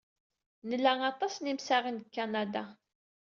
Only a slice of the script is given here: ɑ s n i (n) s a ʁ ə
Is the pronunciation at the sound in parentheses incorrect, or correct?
incorrect